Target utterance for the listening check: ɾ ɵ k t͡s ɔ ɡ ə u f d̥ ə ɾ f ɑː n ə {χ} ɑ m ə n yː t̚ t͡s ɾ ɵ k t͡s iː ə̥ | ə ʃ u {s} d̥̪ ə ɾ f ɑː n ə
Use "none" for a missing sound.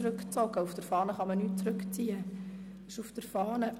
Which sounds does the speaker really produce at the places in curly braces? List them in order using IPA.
χ, f

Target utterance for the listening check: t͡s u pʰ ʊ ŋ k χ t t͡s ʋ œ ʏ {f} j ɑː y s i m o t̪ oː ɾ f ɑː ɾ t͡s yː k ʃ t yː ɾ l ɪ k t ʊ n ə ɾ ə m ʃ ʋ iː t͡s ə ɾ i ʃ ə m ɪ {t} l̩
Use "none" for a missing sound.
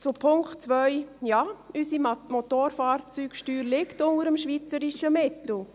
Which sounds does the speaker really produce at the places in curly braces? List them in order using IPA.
none, t

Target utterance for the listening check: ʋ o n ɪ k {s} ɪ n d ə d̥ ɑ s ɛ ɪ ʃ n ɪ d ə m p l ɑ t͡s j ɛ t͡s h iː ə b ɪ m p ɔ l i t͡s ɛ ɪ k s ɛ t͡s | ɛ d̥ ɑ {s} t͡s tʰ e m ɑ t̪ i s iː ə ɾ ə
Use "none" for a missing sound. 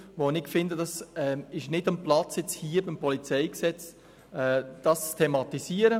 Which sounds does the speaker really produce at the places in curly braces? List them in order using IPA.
f, s

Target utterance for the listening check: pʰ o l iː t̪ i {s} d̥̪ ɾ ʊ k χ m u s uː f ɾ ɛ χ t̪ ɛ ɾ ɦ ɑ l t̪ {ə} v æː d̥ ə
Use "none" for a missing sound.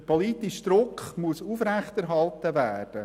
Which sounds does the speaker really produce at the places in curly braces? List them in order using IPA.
ʃ, ə

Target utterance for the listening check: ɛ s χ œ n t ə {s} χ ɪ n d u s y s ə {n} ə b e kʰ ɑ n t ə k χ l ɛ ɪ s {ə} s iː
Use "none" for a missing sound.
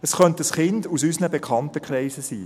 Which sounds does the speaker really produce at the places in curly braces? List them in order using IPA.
s, n, ə

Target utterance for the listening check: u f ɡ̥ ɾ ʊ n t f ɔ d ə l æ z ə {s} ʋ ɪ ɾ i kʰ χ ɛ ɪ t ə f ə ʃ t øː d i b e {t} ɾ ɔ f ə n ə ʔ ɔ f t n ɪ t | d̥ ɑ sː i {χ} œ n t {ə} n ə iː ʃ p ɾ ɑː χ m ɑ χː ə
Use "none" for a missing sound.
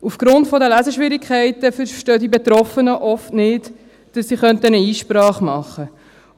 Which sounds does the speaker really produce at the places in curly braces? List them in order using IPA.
ʃ, t, χ, ə

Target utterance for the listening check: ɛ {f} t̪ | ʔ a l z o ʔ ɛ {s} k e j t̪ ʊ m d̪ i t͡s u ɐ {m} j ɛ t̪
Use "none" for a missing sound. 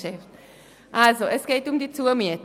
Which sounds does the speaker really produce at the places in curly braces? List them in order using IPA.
f, s, m

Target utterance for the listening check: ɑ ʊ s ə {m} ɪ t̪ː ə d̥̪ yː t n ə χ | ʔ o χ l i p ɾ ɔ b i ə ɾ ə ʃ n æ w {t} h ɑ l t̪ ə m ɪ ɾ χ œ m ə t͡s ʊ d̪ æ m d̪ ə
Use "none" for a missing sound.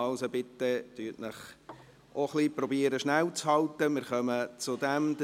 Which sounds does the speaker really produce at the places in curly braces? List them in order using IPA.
b, t͡s

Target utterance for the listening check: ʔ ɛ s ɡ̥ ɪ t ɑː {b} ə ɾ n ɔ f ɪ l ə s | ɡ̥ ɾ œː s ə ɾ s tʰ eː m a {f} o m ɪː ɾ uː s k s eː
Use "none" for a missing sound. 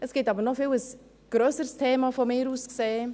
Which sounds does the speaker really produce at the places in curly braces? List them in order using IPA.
b, f

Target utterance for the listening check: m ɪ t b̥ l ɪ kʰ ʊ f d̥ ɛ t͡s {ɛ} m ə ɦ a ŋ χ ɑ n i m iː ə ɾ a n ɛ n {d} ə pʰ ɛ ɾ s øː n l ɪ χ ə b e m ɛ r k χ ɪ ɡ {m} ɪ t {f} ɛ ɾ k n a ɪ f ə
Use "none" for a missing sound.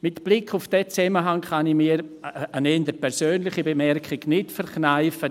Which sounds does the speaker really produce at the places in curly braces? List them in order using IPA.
ɛ, d, n, f

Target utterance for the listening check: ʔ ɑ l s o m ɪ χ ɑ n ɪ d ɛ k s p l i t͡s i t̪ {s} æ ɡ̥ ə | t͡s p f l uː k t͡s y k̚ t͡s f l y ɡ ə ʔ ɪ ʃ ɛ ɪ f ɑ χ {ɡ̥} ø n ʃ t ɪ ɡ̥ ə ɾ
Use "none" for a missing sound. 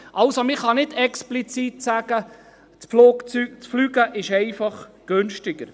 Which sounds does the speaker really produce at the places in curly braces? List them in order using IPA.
s, ɡ̥

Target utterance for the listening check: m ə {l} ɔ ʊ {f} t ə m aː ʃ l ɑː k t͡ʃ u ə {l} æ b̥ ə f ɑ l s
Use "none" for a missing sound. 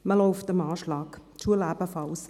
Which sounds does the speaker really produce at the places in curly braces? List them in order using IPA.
l, f, l

